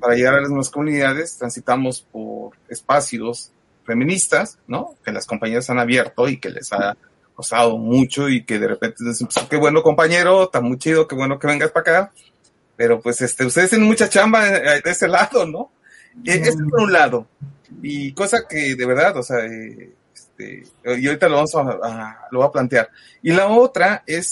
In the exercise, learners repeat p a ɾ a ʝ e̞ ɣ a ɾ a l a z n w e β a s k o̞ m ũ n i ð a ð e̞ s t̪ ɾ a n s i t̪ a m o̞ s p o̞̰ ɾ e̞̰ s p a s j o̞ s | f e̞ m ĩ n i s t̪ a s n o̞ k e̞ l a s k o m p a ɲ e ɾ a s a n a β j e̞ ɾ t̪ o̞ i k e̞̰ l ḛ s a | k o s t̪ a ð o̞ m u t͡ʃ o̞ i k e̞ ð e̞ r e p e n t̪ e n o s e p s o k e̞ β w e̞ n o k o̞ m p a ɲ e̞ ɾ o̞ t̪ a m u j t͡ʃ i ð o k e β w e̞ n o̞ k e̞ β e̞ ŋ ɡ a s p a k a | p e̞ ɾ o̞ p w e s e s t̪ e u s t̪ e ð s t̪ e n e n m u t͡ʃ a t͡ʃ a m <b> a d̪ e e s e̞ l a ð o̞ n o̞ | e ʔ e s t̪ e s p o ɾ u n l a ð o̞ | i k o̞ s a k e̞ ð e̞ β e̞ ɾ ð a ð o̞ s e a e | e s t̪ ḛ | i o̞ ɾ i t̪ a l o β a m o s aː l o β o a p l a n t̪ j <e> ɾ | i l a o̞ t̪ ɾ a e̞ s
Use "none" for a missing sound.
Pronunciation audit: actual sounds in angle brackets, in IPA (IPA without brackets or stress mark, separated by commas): b, a